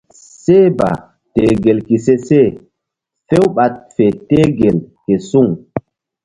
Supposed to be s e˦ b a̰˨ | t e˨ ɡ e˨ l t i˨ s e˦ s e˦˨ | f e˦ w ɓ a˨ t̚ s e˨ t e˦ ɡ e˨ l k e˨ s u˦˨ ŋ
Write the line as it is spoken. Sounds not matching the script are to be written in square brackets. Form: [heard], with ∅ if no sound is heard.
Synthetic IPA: s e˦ b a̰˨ | t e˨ ɡ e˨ l [k] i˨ s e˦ s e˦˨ | f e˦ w ɓ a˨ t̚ [f] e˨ t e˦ ɡ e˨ l k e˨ s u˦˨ ŋ